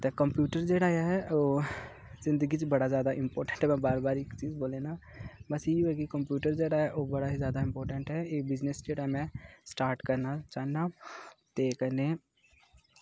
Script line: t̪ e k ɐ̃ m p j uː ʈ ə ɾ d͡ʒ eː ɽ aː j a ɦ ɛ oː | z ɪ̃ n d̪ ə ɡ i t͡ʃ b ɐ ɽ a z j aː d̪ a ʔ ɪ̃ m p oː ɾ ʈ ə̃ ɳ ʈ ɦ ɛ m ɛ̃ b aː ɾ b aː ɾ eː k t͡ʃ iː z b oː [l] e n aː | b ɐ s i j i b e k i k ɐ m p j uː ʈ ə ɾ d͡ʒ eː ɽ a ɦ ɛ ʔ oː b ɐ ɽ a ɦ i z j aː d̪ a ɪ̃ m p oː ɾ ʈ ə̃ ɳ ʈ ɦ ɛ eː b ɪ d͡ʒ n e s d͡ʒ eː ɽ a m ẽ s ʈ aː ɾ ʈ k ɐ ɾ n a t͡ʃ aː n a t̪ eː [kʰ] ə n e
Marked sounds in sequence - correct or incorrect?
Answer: correct, incorrect: k

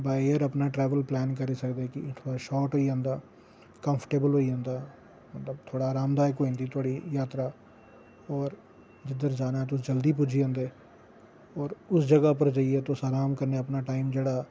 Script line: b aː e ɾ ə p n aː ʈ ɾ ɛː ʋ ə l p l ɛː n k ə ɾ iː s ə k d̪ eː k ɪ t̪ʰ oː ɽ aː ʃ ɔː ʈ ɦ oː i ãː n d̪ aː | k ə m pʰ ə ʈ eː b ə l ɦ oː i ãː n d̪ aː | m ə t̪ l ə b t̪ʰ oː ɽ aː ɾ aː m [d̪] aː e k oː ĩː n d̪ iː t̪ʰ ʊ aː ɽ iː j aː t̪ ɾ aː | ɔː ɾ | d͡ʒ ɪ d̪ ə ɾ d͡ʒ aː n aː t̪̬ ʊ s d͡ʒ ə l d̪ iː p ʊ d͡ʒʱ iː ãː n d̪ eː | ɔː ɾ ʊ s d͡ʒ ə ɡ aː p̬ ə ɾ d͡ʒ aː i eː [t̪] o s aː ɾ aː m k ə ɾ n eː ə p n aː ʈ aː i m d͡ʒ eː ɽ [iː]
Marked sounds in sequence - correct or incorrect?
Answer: correct, correct, incorrect: aː

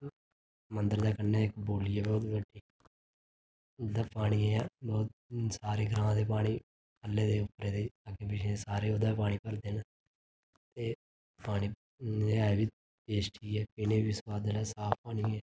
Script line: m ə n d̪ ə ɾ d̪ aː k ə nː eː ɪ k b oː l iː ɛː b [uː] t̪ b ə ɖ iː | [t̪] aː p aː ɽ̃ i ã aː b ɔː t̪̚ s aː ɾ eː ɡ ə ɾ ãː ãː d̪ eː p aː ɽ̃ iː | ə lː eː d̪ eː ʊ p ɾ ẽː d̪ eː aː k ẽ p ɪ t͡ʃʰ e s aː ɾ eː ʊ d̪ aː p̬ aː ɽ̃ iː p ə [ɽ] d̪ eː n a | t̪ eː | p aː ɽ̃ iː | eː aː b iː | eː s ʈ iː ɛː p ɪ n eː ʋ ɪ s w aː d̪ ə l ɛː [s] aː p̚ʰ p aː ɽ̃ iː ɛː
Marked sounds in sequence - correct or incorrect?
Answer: incorrect: ɔː, incorrect: d̪, incorrect: ɾ, correct

